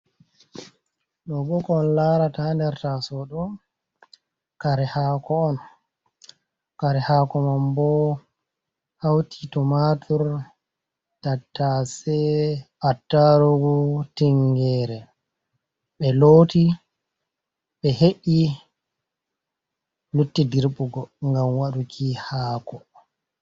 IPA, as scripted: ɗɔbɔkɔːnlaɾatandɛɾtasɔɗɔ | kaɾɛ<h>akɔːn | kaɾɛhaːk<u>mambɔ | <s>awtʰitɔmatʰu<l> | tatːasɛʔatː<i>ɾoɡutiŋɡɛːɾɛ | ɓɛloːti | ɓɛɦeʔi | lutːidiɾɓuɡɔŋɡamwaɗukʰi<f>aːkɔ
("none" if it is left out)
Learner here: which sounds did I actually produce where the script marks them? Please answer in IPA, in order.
h, ɔ, h, ɾ, a, h

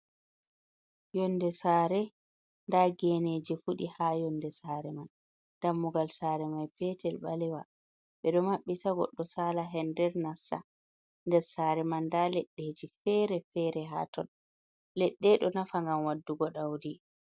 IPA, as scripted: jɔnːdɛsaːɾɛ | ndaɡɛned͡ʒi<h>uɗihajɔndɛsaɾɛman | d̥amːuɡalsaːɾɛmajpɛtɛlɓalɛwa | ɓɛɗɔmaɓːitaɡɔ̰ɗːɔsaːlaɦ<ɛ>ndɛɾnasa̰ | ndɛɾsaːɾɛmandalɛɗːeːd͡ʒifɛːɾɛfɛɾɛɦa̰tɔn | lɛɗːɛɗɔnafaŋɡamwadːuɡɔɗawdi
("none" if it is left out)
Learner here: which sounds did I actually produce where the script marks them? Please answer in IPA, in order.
f, ɛ

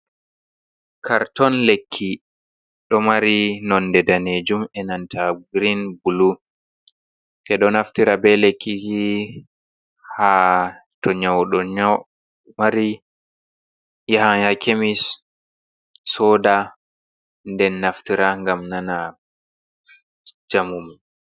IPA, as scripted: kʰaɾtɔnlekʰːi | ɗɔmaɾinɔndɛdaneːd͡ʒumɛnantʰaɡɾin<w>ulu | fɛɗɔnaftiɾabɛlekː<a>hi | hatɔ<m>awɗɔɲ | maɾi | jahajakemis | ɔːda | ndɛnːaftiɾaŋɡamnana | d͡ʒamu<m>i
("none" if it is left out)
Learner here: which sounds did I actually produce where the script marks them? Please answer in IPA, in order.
b, i, ɲ, m

